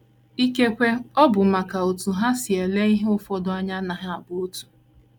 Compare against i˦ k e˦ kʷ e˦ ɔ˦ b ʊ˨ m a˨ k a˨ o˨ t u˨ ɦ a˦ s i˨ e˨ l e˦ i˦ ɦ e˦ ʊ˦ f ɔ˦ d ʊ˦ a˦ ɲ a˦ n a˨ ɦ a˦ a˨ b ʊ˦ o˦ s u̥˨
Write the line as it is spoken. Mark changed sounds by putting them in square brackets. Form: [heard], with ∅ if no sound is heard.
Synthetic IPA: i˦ k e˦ kʷ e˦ ɔ˦ b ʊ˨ m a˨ k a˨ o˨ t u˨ ɦ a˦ s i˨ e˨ l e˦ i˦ ɦ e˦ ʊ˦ f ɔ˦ d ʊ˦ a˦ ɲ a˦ n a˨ ɦ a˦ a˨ b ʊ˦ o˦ [t] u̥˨

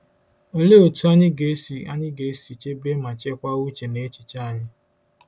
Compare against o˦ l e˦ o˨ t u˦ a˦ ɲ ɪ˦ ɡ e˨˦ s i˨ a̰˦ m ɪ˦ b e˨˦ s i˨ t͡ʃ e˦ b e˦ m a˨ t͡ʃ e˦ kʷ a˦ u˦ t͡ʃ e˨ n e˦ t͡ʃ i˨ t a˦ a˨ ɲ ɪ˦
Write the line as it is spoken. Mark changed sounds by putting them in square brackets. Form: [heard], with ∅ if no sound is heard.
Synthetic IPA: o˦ l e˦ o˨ t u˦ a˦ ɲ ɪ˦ ɡ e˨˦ s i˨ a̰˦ [ɲ] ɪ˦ [ɡ] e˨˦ s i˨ t͡ʃ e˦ b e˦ m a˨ t͡ʃ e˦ kʷ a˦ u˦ t͡ʃ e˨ n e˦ t͡ʃ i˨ [t͡ʃ] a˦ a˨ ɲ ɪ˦

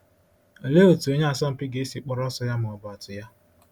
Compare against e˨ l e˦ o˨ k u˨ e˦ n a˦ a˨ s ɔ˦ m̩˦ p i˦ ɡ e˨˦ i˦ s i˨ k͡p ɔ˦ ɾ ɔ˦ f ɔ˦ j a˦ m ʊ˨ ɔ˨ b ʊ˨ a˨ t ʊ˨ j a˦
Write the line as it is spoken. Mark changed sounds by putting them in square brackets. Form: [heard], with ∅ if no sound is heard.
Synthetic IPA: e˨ l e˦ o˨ [t] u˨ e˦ [ɲ] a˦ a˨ s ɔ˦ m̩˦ p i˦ ɡ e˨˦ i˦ s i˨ k͡p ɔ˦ ɾ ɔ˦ [s] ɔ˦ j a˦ m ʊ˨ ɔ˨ b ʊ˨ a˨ t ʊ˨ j a˦

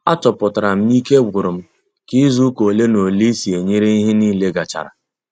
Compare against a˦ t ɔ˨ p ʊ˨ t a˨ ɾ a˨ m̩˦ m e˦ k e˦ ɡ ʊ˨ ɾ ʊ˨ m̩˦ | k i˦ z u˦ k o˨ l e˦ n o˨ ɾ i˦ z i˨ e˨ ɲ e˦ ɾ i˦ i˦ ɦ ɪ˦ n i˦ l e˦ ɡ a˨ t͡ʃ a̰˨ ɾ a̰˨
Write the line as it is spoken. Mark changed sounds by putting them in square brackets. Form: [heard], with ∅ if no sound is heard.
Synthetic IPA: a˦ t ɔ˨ p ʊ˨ t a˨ ɾ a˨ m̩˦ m [i˦] k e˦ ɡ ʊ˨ ɾ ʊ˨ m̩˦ | k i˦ z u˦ k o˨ l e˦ n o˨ [l] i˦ [s] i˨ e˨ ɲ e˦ ɾ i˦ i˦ ɦ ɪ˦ n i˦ l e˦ ɡ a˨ t͡ʃ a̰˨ ɾ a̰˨

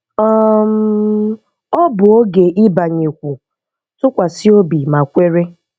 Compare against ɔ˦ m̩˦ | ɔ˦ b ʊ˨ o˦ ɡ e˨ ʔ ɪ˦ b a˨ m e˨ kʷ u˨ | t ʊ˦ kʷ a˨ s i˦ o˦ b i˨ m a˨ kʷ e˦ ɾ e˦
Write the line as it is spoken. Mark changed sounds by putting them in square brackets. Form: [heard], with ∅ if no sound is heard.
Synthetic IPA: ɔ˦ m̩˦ | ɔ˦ b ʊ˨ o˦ ɡ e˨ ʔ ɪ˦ b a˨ [ɲ] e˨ kʷ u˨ | t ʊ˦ kʷ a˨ s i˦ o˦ b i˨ m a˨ kʷ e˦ ɾ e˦

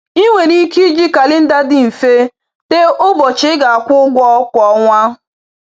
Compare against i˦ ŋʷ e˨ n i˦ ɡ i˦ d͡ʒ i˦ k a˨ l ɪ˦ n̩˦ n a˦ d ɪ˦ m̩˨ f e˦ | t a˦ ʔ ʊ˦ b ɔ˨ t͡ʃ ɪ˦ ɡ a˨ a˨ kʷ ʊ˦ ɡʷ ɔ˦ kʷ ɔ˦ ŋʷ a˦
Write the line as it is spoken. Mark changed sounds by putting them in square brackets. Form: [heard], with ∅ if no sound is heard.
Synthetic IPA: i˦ ŋʷ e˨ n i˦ [k] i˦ d͡ʒ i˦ k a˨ l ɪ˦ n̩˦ [d] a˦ d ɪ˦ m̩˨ f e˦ | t [e˦] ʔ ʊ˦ b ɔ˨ t͡ʃ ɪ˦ ɡ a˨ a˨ kʷ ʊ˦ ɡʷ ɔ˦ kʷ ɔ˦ ŋʷ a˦

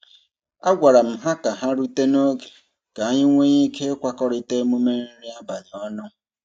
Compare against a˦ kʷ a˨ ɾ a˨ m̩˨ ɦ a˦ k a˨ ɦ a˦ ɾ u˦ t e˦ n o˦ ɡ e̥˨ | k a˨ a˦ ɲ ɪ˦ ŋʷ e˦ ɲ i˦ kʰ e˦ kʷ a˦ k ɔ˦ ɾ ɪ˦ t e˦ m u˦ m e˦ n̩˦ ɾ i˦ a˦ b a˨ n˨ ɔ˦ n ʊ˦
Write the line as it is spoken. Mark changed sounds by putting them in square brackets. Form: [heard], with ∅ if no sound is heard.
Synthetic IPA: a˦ [ɡʷ] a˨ ɾ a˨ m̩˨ ɦ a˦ k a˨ ɦ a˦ ɾ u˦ t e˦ n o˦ ɡ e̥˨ | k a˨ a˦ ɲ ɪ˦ ŋʷ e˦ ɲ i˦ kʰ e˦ kʷ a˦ k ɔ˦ ɾ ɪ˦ t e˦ m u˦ m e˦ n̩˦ ɾ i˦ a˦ b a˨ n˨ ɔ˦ n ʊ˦

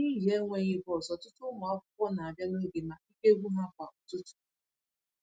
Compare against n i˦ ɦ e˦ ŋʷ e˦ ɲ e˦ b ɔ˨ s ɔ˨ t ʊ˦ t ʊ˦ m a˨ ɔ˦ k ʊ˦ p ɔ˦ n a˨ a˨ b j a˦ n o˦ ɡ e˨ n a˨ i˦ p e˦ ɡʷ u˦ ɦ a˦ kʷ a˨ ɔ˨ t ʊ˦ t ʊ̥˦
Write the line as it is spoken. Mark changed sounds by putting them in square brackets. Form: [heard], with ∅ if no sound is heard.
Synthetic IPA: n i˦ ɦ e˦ ŋʷ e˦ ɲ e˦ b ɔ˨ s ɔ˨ t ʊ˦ t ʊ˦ m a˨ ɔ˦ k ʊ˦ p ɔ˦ n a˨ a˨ b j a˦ n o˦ ɡ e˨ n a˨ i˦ [k] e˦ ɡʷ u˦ ɦ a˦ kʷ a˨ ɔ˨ t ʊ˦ t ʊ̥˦

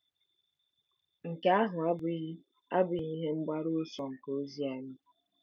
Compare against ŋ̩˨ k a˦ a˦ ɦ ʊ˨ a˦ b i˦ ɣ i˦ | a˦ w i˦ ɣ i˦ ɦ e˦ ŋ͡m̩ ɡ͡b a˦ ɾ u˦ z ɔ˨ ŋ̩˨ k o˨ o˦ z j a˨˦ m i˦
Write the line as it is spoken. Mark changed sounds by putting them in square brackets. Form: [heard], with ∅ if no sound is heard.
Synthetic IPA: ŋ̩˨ k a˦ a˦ ɦ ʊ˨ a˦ b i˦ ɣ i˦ | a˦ [b] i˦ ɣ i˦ ɦ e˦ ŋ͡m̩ ɡ͡b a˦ ɾ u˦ [s] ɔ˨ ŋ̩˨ k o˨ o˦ z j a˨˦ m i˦

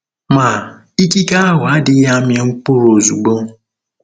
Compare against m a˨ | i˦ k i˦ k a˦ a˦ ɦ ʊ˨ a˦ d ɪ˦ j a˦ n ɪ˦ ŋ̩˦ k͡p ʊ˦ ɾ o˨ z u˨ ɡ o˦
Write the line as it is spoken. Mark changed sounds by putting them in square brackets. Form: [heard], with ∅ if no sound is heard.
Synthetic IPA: m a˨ | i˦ k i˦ k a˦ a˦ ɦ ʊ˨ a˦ d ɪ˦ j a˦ [m] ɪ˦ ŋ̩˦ k͡p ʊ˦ ɾ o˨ z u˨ [ɡ͡b] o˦

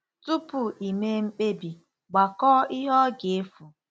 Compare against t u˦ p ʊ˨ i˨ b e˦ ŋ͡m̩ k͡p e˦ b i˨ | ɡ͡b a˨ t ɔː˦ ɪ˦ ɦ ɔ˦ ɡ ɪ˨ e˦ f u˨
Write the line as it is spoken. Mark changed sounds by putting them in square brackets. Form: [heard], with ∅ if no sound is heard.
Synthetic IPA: t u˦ p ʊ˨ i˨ [m] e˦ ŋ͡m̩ k͡p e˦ b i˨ | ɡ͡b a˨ [k] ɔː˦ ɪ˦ ɦ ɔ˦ ɡ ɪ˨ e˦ f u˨

